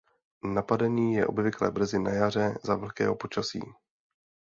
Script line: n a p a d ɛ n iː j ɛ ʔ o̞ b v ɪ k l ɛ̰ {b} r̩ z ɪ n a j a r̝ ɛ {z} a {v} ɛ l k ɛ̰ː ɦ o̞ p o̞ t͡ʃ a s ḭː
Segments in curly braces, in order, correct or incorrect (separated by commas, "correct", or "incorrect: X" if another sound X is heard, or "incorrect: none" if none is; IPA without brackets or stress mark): correct, correct, correct